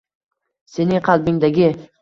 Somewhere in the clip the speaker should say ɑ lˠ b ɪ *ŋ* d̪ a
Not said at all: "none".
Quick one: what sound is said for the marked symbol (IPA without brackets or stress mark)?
ŋ